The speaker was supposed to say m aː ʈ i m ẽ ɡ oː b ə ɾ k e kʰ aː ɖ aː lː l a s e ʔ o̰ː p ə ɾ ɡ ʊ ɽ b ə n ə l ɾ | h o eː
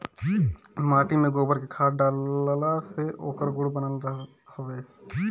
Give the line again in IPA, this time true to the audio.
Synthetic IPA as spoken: m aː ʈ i m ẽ ɡ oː b ə ɾ k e kʰ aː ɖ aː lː l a s e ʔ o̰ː k ə ɾ ɡ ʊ ɽ b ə n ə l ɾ | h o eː